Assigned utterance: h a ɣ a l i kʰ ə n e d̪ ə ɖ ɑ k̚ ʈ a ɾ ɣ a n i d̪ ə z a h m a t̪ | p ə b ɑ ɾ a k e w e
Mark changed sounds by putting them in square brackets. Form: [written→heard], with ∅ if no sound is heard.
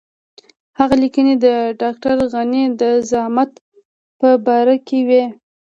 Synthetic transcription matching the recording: h a ɣ a l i [kʰ→k] ə n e d̪ ə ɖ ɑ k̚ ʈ a ɾ ɣ a n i d̪ ə z a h m a t̪ | p ə b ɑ ɾ a k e w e